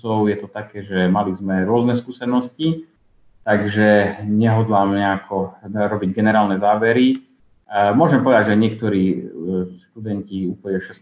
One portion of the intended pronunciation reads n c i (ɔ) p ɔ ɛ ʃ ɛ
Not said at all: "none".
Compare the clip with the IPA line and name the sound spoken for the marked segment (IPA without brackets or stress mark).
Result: u